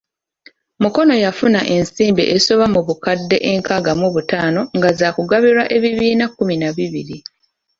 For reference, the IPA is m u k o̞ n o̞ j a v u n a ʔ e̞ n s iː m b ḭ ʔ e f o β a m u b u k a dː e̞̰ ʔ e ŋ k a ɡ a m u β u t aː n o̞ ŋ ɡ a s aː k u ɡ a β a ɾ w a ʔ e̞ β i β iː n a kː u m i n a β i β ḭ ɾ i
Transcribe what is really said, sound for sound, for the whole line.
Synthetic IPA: m u k o̞ n o̞ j a f u n a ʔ e̞ n s iː m b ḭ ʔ e s o β a m u β u k a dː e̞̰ ʔ e ŋ k a ɡ a m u β u t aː n o̞ ŋ ɡ a z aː k u ɡ a β i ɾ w a ʔ e̞ β i β iː n a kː u m i n a β i β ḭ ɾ i

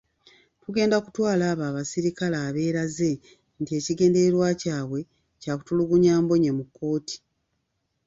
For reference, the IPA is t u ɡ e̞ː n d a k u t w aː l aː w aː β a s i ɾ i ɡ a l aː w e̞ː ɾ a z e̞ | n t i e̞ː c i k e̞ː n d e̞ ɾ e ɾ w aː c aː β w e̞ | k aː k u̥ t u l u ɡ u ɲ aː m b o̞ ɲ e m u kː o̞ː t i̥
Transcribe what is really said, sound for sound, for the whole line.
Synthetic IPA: t u ɡ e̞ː n d a k u t w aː l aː β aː β a s i ɾ i k a l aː β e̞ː ɾ a z e̞ | n t i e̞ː c i ɡ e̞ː n d e̞ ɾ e ɾ w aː c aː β w e̞ | c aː k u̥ t u l u ɡ u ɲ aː m b o̞ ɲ e m u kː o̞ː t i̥

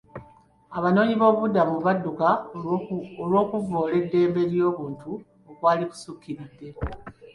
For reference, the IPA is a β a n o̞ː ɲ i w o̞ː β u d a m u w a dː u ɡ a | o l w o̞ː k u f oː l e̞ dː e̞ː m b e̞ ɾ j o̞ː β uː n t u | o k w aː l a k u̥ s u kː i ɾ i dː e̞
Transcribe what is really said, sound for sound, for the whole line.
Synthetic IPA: a β a n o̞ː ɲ i β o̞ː β u d a m u β a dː u k a | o l w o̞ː k u v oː l e̞ dː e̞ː m b e̞ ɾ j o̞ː β uː n t u | o k w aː l i k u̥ s u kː i ɾ i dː e̞

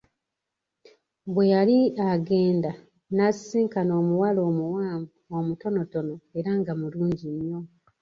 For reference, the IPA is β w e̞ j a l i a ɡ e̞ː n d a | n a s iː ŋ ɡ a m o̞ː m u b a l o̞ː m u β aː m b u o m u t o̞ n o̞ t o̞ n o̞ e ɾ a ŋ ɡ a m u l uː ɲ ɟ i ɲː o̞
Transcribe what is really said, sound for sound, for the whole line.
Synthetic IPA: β w e̞ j a l i a ɡ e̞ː n d a | n a s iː ŋ k a n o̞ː m u w a l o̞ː m u w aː m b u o m u t o̞ n o̞ t o̞ n o̞ e ɾ a ŋ ɡ a m u l uː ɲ ɟ i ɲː o̞

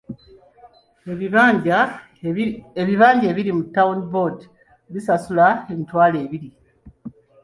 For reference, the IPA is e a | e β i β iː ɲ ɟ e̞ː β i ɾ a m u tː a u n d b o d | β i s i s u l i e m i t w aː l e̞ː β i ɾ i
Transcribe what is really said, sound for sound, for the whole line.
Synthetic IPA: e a | e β i β aː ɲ ɟ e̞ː β i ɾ i m u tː a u n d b o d | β i s a s u l a e m i t w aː l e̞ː β i ɾ i

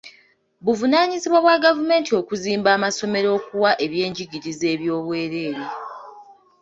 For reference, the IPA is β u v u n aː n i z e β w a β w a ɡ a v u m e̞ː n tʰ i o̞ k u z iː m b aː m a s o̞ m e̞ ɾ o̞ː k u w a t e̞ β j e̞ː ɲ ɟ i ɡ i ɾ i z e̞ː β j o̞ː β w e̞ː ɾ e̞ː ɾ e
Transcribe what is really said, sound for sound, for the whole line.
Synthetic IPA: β u v u n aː ɲ i z i β w a β w a ɡ a v u m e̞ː n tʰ i o̞ k u z iː m b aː m a s o̞ m e̞ ɾ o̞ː k u w a ʔ e̞ β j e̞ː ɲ ɟ i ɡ i ɾ i z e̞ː β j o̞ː β w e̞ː ɾ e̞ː ɾ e

